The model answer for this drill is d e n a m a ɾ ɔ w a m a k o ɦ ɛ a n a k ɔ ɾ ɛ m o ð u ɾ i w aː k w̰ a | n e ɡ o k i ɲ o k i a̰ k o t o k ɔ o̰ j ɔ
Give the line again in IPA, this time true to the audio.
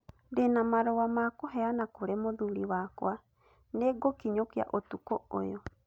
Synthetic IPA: d e n a m a ɾ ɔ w a m a k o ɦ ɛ a n a k o ɾ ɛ m o ð u ɾ i w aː k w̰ a | n e ɡ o k i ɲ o k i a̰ ʔ o t u k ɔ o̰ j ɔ